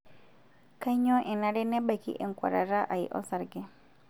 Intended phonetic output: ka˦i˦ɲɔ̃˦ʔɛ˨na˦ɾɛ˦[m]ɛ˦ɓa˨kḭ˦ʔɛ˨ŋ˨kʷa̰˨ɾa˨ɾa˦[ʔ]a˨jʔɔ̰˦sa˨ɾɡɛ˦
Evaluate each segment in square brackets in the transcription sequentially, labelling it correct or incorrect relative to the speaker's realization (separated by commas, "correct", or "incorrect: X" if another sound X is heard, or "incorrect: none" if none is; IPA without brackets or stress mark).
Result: incorrect: n, correct